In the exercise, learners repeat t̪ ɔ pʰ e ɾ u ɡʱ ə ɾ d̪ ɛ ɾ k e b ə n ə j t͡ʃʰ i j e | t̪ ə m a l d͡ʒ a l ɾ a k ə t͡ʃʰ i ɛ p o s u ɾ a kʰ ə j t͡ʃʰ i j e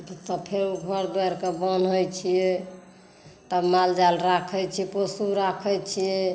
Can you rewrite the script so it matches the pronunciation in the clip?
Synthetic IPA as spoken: t̪ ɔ pʰ e ɾ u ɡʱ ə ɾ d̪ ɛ ɾ k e b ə n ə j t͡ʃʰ i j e | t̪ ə m a l d͡ʒ a l ɾ a kʰ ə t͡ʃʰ i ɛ p o s u ɾ a kʰ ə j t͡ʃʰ i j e